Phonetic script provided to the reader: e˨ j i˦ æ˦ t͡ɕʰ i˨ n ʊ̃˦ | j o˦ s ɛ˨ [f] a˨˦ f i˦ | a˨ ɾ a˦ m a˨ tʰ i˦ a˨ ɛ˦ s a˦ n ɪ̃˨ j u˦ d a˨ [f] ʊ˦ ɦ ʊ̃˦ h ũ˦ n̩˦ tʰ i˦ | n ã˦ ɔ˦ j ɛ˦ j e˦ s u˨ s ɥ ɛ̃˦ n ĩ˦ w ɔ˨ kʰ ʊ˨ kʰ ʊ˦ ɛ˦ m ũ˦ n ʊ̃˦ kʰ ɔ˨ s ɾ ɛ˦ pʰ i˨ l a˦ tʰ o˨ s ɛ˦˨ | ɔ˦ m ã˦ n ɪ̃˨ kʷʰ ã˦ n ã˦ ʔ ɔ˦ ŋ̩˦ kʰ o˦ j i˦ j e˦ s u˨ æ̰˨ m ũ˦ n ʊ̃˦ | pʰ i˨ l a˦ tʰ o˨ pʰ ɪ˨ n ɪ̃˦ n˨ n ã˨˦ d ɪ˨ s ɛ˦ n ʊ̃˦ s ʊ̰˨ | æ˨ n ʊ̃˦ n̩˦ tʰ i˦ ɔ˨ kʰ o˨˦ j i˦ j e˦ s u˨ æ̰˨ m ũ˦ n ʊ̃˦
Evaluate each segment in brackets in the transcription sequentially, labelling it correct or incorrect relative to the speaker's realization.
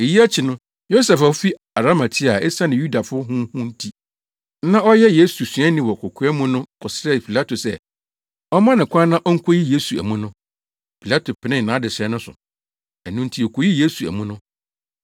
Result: correct, correct

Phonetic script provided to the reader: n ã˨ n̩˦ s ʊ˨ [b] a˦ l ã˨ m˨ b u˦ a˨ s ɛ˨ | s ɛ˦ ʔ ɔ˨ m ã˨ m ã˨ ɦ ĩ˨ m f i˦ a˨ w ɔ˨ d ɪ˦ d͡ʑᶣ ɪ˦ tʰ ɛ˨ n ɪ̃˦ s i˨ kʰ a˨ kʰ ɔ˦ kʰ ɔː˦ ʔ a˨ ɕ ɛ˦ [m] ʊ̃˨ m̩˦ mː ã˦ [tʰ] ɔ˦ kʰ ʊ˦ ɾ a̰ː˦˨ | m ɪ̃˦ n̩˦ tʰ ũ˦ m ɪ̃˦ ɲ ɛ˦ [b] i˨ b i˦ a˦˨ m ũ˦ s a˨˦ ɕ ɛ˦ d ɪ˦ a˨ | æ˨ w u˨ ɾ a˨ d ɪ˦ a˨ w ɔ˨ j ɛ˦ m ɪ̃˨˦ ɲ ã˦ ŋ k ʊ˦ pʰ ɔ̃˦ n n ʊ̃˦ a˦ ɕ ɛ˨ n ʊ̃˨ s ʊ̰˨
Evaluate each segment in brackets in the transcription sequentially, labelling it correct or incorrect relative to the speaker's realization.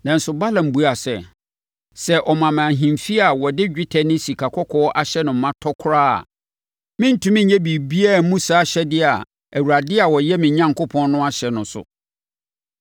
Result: correct, incorrect: n, correct, correct

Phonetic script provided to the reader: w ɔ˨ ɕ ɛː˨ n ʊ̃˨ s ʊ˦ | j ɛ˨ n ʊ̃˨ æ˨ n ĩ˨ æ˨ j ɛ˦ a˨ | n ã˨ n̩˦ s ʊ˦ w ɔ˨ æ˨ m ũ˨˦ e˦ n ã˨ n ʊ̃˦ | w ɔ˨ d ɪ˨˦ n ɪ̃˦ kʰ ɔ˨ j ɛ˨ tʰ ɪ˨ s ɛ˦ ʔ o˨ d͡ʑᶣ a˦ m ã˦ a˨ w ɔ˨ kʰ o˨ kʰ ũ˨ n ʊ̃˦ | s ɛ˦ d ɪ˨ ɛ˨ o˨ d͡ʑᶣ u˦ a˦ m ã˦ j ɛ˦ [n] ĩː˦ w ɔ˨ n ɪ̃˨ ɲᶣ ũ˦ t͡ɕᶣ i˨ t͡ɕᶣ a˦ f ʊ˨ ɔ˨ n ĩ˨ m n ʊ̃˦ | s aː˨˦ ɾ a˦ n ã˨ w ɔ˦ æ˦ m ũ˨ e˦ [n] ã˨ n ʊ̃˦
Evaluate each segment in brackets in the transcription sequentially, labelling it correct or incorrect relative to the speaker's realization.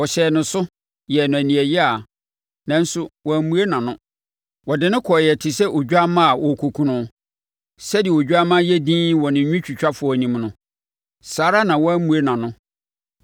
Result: incorrect: d, correct

